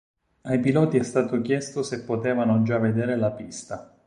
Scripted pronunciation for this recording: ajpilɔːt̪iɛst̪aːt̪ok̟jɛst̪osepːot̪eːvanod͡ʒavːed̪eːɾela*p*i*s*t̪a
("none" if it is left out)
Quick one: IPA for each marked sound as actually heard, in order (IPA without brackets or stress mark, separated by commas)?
p, s